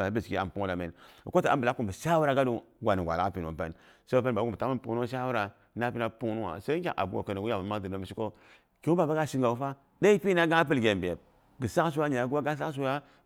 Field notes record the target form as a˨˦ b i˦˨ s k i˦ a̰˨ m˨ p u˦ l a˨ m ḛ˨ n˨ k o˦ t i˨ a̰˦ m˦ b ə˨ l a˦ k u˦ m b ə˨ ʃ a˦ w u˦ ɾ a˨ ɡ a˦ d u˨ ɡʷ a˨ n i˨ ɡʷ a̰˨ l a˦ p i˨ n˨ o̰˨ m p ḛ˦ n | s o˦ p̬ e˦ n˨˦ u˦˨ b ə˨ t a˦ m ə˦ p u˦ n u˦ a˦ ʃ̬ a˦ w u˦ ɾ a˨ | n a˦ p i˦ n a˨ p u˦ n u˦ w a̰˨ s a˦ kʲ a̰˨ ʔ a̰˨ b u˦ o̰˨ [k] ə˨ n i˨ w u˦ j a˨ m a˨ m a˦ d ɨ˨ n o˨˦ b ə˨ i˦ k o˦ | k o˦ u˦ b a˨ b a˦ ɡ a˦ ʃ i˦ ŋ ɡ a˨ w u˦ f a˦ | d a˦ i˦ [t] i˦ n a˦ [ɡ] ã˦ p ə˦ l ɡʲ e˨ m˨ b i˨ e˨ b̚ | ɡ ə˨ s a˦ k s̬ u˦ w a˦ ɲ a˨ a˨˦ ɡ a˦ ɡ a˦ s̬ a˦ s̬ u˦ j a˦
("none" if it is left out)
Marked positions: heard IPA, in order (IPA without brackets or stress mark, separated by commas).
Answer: k, p, ɡ